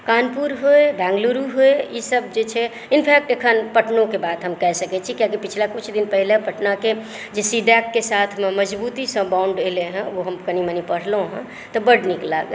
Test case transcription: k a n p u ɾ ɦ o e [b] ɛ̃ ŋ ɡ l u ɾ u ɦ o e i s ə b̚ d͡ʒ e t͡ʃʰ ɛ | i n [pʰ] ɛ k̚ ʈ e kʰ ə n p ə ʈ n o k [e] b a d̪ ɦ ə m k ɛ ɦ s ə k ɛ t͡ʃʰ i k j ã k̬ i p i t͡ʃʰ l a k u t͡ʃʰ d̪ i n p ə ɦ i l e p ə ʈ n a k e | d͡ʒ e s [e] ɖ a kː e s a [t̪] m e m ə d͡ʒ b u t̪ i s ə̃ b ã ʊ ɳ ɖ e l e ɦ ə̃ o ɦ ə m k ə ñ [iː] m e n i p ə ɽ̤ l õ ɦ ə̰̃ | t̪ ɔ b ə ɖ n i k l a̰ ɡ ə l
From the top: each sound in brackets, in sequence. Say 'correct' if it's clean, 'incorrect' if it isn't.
correct, correct, correct, incorrect: i, incorrect: t̪ʰ, incorrect: i

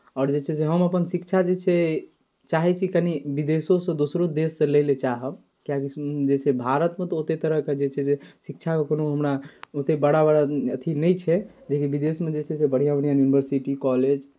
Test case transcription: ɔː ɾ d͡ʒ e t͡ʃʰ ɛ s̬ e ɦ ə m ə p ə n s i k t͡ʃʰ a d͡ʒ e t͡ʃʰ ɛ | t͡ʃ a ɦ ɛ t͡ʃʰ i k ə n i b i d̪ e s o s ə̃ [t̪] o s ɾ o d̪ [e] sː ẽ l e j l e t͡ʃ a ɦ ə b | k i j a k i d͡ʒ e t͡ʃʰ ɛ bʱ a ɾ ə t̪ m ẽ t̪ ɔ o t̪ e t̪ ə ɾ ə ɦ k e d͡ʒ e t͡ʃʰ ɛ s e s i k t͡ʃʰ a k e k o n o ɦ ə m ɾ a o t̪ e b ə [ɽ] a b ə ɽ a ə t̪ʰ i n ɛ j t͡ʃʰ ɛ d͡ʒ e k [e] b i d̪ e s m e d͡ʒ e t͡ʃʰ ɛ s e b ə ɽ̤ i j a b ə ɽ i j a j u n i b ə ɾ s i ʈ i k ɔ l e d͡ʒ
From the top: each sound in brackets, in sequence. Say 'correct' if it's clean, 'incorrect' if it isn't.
incorrect: d̪, correct, correct, incorrect: i

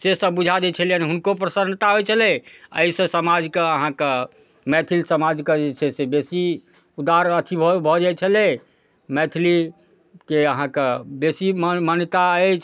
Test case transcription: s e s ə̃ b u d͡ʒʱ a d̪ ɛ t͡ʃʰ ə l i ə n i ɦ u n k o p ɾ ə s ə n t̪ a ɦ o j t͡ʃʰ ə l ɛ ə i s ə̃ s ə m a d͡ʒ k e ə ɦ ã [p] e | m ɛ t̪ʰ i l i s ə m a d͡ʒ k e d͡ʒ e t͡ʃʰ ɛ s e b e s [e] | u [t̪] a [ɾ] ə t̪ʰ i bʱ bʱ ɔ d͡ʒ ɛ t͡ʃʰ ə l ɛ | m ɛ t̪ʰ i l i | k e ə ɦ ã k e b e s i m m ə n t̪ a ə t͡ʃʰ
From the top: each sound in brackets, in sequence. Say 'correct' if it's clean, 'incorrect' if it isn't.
incorrect: k, incorrect: i, incorrect: d̪, correct

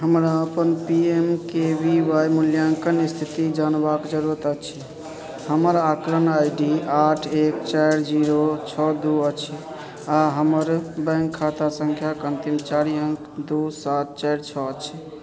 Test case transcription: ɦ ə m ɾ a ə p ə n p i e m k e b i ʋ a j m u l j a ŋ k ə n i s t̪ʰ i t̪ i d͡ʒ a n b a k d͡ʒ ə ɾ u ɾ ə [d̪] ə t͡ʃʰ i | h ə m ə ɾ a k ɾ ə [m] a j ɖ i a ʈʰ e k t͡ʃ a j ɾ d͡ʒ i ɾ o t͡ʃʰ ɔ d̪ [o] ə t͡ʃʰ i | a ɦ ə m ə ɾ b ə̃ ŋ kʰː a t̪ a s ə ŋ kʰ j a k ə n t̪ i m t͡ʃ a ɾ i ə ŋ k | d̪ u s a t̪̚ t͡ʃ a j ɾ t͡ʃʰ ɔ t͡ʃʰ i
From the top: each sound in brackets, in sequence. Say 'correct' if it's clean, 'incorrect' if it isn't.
incorrect: t̪, incorrect: n, incorrect: u

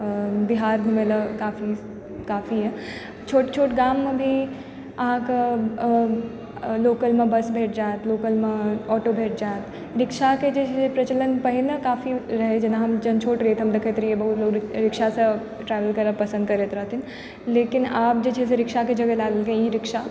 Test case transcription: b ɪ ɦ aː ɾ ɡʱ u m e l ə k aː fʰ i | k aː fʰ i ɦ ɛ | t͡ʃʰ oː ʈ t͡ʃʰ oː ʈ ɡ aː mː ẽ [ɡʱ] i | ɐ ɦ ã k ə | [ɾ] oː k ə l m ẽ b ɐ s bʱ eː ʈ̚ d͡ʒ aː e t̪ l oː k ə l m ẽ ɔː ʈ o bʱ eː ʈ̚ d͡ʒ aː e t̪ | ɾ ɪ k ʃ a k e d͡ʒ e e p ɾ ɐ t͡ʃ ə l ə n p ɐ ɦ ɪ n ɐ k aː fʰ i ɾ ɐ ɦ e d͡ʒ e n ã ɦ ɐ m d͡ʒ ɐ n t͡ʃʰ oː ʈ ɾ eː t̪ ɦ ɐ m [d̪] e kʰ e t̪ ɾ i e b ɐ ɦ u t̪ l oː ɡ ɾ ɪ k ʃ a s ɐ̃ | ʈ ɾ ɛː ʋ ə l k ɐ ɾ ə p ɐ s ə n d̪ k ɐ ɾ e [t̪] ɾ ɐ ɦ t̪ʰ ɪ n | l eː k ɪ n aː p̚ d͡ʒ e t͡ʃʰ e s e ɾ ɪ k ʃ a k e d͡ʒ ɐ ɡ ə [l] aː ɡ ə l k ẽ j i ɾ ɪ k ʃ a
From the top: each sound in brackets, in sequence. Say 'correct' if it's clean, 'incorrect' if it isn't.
incorrect: bʱ, incorrect: l, correct, correct, correct

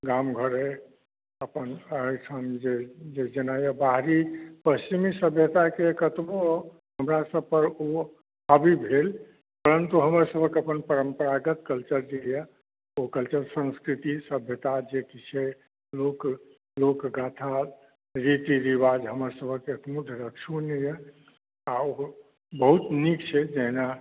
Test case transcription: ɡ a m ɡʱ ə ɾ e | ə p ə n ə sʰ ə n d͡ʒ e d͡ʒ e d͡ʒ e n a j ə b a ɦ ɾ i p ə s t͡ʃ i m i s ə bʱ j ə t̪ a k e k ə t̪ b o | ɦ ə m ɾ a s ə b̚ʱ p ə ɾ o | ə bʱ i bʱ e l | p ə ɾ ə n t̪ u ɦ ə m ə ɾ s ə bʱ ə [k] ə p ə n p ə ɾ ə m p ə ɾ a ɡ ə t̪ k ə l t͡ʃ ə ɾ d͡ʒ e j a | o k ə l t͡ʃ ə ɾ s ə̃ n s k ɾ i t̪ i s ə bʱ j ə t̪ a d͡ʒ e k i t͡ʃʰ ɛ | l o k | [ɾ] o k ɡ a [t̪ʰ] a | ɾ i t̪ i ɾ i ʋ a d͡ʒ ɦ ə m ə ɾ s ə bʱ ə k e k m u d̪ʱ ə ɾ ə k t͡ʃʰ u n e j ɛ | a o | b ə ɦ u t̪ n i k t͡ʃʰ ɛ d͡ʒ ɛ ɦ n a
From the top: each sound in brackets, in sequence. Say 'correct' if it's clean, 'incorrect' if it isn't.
correct, incorrect: l, correct

